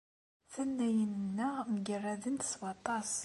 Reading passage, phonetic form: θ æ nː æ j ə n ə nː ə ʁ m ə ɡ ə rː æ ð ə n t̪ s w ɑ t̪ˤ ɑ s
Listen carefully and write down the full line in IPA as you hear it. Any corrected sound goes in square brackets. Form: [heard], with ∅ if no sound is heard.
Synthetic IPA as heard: θ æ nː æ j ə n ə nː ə ʁ m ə ɡ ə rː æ ð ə n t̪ s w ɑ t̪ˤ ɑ s